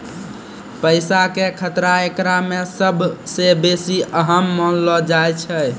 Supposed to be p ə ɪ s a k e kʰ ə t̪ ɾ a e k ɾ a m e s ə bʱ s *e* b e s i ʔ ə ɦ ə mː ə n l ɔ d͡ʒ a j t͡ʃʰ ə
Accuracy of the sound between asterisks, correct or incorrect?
correct